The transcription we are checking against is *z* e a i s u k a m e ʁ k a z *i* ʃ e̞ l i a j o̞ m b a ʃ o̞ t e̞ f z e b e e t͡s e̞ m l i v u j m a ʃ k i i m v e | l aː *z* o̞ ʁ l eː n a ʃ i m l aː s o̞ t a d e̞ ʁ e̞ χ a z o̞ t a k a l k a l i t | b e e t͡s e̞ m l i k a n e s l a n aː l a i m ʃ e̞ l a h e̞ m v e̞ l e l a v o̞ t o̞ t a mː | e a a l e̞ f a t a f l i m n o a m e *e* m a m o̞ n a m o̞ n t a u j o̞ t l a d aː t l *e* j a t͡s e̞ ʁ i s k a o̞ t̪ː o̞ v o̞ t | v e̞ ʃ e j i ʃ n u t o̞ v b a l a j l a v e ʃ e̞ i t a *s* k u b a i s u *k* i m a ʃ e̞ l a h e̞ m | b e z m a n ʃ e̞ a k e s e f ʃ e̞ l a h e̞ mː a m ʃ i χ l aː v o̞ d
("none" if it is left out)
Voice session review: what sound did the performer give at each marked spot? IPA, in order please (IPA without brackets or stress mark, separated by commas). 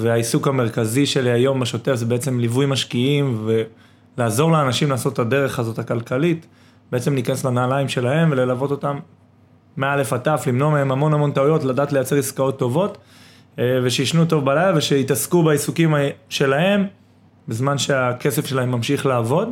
v, i, z, e, e, s, k